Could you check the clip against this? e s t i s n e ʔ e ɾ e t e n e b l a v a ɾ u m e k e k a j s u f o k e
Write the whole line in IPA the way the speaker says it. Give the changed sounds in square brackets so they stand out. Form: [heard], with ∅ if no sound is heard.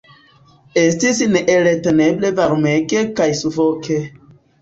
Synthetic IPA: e s t i s n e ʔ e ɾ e t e n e b l [e] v a ɾ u m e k e k a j s u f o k e